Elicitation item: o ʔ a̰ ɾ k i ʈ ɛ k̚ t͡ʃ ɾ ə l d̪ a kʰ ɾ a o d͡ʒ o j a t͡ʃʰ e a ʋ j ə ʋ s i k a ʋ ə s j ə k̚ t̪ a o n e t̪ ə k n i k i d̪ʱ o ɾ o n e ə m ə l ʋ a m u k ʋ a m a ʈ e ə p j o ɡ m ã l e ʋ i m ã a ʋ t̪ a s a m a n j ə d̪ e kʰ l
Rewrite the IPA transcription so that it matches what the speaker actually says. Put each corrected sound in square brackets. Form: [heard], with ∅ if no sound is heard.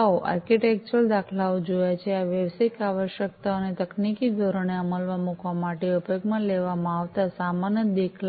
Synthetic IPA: o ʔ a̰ ɾ k i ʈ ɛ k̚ t͡ʃ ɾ ə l d̪ a kʰ [l] a o d͡ʒ o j a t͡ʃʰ e a ʋ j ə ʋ s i k a ʋ ə [ʃ] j ə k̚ t̪ a o n e t̪ ə k n i k i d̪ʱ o ɾ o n e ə m ə l ʋ a m u k ʋ a m a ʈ e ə p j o ɡ m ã l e ʋ [a] m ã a ʋ t̪ a s a m a n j ə d̪ e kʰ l